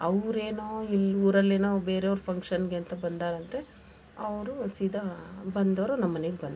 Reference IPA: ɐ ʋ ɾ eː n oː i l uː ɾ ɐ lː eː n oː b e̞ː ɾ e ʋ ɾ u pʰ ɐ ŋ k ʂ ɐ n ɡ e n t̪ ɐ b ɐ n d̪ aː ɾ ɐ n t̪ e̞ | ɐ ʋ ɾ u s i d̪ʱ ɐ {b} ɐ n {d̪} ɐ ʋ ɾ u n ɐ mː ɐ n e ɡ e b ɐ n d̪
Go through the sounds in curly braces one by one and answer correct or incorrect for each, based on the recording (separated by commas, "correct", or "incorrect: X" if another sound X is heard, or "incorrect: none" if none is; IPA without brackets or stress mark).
correct, correct